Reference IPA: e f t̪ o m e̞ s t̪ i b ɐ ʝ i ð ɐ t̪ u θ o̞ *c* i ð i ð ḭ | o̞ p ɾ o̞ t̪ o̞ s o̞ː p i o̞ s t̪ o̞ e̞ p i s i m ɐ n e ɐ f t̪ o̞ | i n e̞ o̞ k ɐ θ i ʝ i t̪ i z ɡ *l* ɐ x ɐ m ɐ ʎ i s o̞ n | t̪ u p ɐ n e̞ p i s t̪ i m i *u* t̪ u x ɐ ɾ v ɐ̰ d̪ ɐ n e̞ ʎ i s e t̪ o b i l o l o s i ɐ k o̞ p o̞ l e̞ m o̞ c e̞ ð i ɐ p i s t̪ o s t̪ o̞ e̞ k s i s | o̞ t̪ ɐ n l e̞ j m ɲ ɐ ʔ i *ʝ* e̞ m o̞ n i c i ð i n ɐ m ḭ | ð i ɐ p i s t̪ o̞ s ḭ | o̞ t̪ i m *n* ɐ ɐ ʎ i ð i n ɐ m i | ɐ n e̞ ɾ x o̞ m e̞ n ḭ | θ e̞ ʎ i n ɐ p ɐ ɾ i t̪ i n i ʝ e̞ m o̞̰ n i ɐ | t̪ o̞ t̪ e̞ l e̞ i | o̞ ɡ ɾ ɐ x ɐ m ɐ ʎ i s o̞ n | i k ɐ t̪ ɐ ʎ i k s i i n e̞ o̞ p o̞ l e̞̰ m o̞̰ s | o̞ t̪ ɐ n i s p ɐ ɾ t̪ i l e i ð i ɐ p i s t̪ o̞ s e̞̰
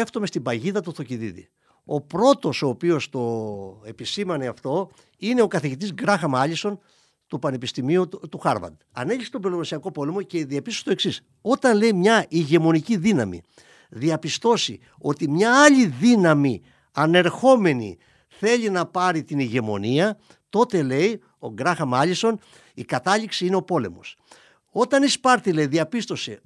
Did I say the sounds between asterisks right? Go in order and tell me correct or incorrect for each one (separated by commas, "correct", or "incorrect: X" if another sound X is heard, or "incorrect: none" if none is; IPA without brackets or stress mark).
correct, incorrect: ɾ, correct, correct, incorrect: ɲ